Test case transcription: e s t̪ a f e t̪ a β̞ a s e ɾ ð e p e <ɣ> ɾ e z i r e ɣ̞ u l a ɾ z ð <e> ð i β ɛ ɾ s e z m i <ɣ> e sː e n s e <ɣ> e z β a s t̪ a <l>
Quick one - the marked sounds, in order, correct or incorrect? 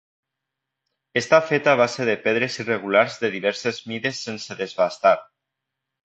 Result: incorrect, correct, incorrect, incorrect, incorrect

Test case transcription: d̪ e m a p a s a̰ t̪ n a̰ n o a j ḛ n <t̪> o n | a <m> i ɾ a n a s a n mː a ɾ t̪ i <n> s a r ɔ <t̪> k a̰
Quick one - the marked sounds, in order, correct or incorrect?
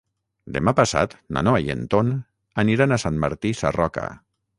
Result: correct, incorrect, incorrect, incorrect

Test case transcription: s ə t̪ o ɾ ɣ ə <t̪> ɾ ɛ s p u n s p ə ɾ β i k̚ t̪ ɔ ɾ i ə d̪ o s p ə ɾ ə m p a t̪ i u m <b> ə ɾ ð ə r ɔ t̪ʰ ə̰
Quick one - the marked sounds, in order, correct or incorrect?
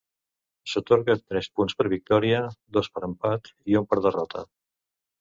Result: correct, incorrect

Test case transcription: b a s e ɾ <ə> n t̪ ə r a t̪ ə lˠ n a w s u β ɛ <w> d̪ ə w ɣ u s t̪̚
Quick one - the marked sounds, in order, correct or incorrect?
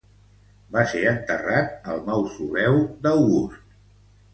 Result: correct, correct

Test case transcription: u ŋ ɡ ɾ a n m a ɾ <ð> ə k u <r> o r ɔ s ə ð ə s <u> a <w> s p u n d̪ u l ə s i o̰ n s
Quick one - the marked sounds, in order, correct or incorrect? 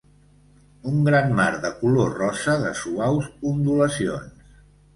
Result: correct, incorrect, correct, correct

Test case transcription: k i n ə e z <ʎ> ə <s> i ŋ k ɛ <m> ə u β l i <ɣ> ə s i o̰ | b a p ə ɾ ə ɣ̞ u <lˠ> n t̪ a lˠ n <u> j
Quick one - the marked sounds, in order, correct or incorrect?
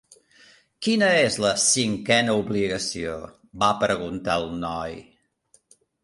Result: incorrect, correct, incorrect, correct, incorrect, incorrect

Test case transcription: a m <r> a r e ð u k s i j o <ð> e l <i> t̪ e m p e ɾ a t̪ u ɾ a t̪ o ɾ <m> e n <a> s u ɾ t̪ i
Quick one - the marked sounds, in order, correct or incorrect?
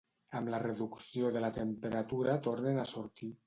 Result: incorrect, correct, incorrect, incorrect, correct

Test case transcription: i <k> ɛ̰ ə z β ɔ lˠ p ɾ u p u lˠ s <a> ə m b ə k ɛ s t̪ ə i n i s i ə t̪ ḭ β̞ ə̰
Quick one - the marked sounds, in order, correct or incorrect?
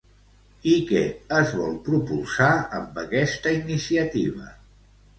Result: correct, correct

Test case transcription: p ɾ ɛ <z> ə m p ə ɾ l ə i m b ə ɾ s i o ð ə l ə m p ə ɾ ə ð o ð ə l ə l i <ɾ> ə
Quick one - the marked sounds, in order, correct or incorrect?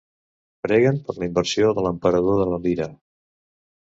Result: incorrect, correct

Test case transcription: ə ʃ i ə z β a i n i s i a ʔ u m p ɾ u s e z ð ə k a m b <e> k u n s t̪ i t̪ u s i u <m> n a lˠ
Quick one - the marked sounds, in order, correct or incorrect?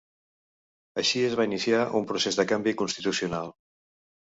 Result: incorrect, incorrect

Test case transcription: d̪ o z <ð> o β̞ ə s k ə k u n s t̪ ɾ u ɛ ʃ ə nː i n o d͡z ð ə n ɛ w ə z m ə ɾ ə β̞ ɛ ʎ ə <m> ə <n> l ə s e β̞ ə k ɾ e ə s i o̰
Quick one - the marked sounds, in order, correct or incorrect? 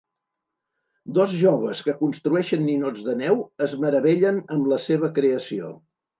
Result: incorrect, incorrect, incorrect

